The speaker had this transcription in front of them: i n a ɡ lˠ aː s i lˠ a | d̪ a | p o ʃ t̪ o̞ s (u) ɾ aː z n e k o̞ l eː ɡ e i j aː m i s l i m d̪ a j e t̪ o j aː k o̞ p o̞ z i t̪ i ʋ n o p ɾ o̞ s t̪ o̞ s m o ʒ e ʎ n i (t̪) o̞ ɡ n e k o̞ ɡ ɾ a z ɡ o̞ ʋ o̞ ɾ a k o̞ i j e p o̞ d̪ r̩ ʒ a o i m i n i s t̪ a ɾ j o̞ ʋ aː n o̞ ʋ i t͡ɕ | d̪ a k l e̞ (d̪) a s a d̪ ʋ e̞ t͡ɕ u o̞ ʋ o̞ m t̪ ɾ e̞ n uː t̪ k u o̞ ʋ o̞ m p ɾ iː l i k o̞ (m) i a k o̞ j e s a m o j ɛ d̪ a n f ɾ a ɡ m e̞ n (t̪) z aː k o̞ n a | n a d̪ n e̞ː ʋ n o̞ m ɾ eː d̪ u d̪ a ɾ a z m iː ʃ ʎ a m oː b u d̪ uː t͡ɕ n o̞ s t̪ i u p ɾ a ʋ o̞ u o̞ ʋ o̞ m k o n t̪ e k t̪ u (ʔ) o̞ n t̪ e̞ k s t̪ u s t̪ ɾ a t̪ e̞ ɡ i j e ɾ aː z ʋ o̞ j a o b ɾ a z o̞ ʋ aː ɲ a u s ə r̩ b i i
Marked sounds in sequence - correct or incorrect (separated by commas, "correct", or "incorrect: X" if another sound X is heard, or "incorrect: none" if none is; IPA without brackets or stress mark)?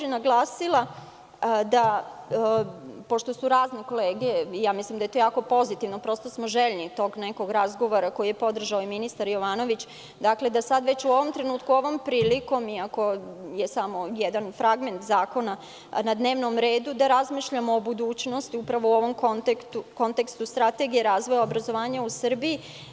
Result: correct, correct, correct, correct, correct, incorrect: k